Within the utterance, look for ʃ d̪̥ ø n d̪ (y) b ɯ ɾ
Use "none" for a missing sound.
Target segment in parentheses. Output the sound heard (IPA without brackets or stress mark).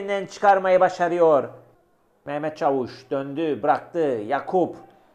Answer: y